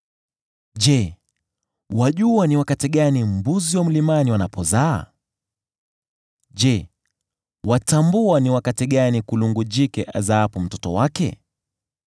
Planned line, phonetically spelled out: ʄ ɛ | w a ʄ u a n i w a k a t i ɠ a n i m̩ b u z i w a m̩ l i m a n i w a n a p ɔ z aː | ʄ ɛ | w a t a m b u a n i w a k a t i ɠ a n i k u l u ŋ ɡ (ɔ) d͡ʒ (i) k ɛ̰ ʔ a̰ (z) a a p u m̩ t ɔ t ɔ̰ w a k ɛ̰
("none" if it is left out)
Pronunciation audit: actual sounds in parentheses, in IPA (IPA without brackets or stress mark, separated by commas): u, i, z